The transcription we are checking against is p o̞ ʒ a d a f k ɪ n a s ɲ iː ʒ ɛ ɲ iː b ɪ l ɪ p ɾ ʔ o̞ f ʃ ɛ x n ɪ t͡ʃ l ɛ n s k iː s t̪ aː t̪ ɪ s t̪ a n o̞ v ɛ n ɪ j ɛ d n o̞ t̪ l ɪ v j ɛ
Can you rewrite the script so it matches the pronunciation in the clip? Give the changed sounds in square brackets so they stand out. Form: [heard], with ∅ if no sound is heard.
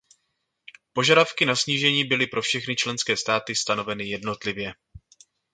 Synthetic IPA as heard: p o̞ ʒ a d a f k ɪ n a s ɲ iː ʒ ɛ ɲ iː b ɪ l ɪ p ɾ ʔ o̞ f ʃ ɛ x n ɪ t͡ʃ l ɛ n s k [ɛː] s t̪ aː t̪ ɪ s t̪ a n o̞ v ɛ n ɪ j ɛ d n o̞ t̪ l ɪ v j ɛ